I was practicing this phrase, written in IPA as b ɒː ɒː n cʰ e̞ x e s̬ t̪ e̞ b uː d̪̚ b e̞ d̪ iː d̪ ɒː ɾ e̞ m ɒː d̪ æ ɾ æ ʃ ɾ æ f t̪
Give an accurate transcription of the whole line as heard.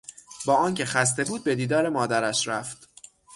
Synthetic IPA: b ɒː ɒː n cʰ e̞ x æ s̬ t̪ e̞ b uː d̪̚ b e̞ d̪ iː d̪ ɒː ɾ e̞ m ɒː d̪ æ ɾ æ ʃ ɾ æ f t̪